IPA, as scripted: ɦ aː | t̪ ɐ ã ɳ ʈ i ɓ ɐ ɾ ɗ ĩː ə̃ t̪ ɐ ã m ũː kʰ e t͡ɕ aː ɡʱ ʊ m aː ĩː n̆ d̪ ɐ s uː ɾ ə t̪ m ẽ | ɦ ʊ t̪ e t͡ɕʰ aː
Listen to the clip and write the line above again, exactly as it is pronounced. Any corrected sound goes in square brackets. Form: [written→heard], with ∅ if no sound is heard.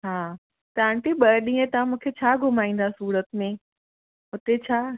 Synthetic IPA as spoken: ɦ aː | t̪ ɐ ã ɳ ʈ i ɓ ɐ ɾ ɗ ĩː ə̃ t̪ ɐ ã m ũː kʰ e [t͡ɕ→t͡ɕʰ] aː ɡʱ ʊ m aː ĩː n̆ d̪ [ɐ→a] s uː ɾ ə t̪ m ẽ | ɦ ʊ t̪ e t͡ɕʰ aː